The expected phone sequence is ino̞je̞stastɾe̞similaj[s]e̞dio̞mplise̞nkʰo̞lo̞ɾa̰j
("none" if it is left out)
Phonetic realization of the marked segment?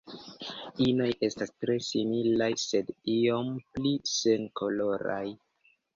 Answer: s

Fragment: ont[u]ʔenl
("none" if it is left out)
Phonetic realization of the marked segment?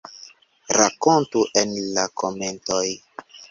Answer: u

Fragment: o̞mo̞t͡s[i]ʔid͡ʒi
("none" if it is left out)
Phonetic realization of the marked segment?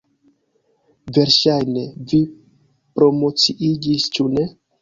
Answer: i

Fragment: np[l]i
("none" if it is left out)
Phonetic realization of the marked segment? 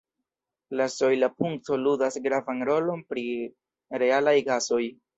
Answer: ɾ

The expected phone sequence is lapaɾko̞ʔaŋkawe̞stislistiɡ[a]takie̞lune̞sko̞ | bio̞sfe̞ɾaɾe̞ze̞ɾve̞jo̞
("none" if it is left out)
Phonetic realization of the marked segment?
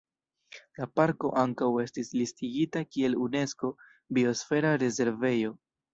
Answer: i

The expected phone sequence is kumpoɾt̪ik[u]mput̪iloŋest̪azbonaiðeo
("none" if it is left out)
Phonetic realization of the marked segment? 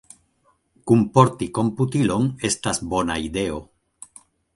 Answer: o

